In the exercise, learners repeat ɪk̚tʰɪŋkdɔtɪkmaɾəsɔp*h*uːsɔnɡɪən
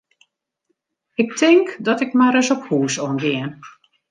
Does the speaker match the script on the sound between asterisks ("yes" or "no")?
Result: yes